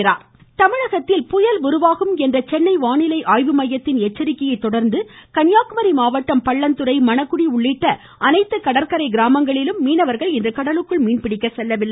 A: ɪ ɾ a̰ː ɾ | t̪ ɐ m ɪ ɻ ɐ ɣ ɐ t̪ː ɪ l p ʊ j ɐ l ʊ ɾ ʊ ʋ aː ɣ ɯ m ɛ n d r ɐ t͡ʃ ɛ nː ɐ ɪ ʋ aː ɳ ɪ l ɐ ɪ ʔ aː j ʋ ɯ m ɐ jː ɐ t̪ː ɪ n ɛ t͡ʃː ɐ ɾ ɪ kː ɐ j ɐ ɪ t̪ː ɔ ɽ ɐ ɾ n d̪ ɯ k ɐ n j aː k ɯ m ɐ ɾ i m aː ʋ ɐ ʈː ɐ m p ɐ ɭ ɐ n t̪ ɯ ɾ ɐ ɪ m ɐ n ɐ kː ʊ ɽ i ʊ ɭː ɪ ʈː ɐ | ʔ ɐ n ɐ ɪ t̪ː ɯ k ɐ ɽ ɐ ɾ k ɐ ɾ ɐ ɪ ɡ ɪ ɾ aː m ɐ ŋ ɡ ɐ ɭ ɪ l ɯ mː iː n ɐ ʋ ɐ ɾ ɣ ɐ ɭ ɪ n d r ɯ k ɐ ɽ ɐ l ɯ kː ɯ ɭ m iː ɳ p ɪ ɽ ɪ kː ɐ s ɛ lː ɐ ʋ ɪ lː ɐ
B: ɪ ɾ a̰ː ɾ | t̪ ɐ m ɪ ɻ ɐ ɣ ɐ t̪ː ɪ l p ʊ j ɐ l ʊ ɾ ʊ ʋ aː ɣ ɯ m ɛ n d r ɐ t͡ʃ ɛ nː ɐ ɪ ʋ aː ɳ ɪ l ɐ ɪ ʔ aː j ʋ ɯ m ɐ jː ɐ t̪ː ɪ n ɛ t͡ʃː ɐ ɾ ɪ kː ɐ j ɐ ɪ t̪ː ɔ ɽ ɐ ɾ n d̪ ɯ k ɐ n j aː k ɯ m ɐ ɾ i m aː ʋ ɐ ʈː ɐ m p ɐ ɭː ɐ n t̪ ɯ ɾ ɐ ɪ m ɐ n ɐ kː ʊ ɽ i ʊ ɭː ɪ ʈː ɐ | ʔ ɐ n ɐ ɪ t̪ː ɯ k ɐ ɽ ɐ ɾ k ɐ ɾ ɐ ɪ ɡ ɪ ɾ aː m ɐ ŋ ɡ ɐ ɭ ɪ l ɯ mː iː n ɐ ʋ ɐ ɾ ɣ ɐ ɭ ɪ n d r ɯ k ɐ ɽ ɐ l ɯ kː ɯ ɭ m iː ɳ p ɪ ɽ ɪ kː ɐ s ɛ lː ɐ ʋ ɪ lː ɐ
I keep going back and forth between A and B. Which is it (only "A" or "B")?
B